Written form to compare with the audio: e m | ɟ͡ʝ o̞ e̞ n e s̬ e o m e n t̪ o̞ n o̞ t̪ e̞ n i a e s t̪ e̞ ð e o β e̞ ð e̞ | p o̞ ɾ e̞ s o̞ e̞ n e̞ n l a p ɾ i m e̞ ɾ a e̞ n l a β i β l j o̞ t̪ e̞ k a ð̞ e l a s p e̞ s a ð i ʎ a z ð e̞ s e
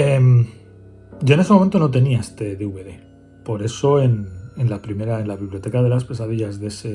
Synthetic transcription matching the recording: e m | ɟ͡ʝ o̞ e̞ n e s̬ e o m e n t̪ o̞ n o̞ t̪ e̞ n i a e s t̪ e̞ ð e u β e̞ ð e̞ | p o̞ ɾ e̞ s o̞ e̞ n e̞ n l a p ɾ i m e̞ ɾ a e̞ n l a β i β l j o̞ t̪ e̞ k a ð̞ e l a s p e̞ s a ð i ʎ a z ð e̞ s e